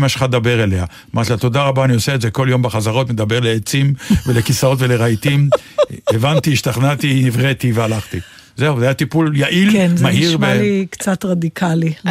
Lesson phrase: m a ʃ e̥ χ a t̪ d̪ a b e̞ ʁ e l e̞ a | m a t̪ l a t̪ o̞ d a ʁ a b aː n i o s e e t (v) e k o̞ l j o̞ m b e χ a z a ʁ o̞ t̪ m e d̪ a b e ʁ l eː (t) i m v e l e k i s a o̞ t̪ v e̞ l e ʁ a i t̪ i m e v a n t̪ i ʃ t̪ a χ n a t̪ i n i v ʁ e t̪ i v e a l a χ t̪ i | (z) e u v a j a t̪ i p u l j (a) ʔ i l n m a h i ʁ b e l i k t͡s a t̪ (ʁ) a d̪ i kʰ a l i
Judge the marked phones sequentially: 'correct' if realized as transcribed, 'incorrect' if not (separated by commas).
incorrect, incorrect, correct, correct, correct